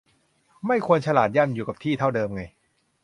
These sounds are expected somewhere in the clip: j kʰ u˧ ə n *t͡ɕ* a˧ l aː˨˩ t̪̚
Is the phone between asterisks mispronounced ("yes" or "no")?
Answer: yes